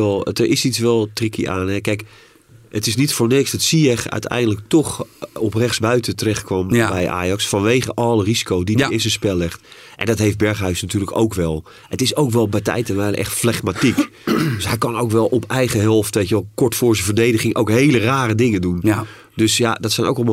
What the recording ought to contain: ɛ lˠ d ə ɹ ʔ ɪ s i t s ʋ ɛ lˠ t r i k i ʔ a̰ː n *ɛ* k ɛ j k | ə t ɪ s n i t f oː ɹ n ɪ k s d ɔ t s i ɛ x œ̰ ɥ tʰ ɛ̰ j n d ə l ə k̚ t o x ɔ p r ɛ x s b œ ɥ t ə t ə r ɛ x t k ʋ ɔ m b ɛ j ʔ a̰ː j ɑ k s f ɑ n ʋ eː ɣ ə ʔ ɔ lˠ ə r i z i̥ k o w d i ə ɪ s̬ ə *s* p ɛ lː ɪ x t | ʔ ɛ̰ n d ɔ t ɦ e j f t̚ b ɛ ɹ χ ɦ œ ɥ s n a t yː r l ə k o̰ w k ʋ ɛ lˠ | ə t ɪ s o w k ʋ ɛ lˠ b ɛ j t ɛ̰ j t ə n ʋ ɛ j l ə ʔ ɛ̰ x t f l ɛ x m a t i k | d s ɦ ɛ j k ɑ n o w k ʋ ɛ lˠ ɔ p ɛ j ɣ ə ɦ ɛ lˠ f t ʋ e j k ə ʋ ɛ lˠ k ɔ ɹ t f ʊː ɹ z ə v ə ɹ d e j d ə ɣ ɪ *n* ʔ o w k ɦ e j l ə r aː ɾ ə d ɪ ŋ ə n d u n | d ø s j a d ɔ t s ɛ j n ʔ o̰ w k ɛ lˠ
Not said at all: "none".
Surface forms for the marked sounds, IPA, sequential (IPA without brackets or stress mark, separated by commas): ɛ, s, ŋ